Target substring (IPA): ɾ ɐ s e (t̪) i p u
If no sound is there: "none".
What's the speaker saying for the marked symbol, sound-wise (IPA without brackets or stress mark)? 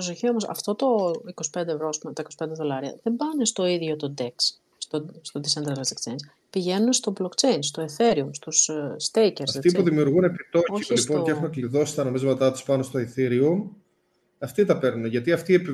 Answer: t̪